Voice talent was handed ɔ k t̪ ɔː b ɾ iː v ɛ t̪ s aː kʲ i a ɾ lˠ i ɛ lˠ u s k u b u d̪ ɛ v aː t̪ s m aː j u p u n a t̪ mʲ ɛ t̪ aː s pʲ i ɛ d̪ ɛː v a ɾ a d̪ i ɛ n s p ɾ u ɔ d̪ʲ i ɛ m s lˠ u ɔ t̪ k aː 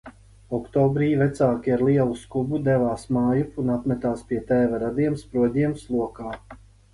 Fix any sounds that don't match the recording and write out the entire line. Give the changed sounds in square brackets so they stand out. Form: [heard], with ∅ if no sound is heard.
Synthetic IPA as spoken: ɔ k t̪ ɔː b ɾ iː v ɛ t̪ s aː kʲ i a ɾ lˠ i ɛ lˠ u s k u b u d̪ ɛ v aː [∅] s m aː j u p u n a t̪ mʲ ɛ t̪ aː s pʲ i ɛ [t̪] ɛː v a ɾ a d̪ i ɛ [m] s p ɾ u ɔ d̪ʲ i ɛ m s lˠ u ɔ [∅] k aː